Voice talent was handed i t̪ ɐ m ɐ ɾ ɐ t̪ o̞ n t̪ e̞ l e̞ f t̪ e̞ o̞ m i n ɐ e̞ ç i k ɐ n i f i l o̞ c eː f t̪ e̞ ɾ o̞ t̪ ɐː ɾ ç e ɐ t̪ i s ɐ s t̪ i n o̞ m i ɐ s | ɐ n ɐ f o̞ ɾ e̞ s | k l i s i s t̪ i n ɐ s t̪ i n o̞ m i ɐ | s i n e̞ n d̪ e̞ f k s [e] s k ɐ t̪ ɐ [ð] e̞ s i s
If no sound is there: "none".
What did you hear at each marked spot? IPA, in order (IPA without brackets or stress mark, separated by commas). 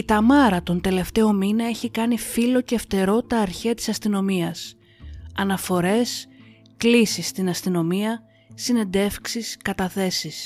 i, θ